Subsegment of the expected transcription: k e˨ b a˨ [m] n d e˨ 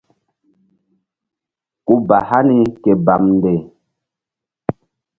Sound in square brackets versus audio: correct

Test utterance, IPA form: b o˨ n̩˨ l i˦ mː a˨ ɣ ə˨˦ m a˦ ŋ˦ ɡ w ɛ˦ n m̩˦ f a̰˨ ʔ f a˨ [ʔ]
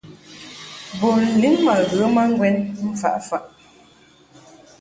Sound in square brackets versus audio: correct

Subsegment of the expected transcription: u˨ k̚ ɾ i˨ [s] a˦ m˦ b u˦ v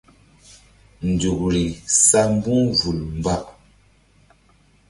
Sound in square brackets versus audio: correct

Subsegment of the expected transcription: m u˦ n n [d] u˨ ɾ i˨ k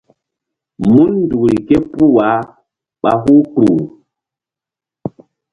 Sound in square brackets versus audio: correct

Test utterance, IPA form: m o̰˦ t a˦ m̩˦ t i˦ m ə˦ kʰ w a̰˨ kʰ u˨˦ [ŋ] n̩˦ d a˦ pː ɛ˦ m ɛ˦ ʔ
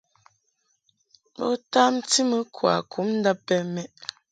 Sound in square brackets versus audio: incorrect: m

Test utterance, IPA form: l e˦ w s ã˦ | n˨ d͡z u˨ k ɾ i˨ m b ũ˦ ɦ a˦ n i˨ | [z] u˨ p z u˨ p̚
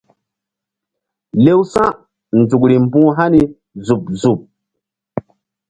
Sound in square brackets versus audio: correct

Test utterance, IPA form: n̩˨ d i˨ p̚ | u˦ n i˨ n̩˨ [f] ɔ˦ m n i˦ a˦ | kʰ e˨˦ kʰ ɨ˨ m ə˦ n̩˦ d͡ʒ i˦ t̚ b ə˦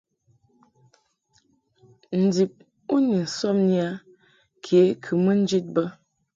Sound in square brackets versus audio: incorrect: s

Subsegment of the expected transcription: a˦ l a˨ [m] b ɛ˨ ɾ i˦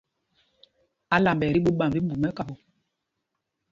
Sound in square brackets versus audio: correct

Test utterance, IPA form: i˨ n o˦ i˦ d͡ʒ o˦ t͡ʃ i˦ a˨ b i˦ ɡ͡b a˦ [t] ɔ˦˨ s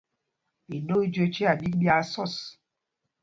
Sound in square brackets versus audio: incorrect: s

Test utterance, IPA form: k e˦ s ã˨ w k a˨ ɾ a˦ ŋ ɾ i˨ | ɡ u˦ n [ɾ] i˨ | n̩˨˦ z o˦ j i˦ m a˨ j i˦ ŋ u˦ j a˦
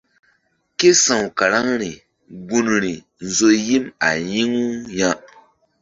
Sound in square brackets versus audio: correct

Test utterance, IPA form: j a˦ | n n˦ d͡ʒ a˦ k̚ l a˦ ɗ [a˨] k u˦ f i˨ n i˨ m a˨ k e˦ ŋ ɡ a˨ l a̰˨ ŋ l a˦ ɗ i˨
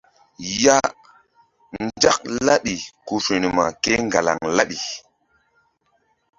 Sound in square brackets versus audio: incorrect: i˨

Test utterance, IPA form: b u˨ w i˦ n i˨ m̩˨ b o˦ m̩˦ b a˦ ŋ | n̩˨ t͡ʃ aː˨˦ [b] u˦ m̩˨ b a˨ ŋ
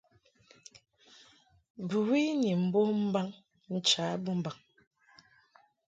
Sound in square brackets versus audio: correct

